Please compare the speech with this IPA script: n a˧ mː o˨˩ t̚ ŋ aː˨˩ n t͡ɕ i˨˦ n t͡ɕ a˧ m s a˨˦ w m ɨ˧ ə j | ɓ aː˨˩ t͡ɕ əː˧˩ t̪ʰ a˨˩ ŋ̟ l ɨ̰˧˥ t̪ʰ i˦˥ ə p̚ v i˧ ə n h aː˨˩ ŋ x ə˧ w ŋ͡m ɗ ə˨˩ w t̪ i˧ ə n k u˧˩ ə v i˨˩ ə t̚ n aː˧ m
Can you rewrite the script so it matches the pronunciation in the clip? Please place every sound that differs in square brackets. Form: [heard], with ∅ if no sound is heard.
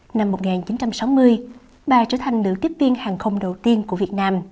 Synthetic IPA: n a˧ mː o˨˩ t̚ ŋ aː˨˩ n t͡ɕ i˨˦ n t͡ɕ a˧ m s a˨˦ w m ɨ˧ ə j | ɓ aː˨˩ t͡ɕ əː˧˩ t̪ʰ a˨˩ ŋ̟ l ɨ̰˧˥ [t̪] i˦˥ ə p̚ v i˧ ə n h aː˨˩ ŋ x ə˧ w ŋ͡m ɗ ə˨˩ w t̪ i˧ ə n k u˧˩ ə v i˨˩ ə t̚ n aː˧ m